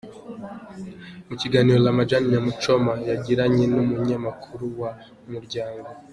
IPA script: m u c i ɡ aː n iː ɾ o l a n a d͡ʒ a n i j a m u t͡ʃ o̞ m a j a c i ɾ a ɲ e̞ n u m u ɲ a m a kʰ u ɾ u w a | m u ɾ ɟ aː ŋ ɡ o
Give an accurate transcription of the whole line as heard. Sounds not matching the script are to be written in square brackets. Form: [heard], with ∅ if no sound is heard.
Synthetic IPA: m u c i ɡ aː n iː ɾ o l a [m] a d͡ʒ a n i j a m u t͡ʃ o̞ m a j a [ɟ] i ɾ a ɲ e̞ n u m u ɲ a m a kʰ u ɾ u w a | m u ɾ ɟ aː ŋ ɡ o